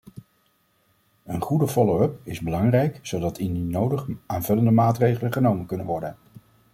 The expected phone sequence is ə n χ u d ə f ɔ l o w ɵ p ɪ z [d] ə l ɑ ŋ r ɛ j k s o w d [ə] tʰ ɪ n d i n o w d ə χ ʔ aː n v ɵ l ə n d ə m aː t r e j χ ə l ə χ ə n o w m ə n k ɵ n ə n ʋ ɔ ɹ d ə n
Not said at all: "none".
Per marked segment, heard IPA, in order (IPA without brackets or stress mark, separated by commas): b, ɑ